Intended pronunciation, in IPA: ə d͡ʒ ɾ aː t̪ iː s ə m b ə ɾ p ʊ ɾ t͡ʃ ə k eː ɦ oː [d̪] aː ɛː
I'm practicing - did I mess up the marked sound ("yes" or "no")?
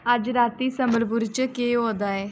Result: no